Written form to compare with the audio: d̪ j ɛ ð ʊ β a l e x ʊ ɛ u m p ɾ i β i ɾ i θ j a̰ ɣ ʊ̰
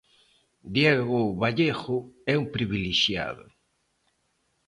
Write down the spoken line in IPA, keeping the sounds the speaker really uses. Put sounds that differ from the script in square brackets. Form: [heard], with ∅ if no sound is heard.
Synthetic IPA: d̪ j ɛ [ɣ] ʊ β a [ʎ] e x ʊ ɛ u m p ɾ i β i [l] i [ʃ] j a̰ [ð] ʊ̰